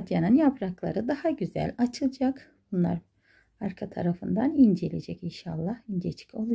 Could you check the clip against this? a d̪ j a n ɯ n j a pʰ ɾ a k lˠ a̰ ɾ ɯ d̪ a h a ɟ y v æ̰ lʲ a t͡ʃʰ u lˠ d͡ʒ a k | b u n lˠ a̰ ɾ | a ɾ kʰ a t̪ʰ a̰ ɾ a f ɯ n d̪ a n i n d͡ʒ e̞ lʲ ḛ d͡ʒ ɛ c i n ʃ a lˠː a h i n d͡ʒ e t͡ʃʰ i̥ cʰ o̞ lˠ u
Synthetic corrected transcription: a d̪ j a n ɯ n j a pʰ ɾ a k lˠ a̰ ɾ ɯ d̪ a h a ɟ y z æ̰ lʲ a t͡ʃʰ ɯ lˠ d͡ʒ a k | b u n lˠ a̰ ɾ | a ɾ kʰ a t̪ʰ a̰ ɾ a f ɯ n d̪ a n i n d͡ʒ e̞ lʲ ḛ d͡ʒ ɛ c i n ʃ a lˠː a h i n d͡ʒ e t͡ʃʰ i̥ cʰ o̞ lˠ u